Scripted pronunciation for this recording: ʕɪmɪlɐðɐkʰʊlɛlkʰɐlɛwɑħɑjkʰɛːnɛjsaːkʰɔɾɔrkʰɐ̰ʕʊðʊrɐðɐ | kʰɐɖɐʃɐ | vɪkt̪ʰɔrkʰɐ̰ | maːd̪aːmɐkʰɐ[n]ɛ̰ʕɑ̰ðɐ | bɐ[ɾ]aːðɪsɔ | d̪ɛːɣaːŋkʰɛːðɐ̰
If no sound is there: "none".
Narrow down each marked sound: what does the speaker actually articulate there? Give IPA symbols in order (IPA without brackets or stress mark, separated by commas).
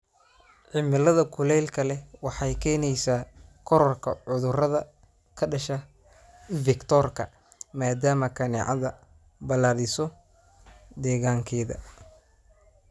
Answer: n, l